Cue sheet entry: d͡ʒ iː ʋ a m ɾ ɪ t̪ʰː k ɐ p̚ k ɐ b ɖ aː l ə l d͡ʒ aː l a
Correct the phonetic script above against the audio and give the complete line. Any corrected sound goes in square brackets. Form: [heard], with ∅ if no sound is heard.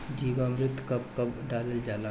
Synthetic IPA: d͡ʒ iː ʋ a m ɾ ɪ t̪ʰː k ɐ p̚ k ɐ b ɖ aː l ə l d͡ʒ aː l a